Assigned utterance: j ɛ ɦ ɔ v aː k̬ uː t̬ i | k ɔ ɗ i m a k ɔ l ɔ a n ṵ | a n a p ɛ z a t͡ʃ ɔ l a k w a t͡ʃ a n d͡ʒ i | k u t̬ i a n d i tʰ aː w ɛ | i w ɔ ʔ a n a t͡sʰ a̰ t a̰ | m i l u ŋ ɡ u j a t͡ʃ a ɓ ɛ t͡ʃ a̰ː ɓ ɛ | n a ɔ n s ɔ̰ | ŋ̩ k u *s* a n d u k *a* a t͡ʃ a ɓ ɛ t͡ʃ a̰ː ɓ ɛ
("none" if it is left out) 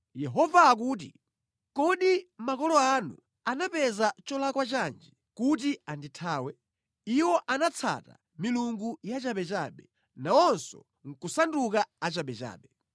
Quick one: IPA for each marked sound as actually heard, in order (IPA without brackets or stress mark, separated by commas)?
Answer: s, a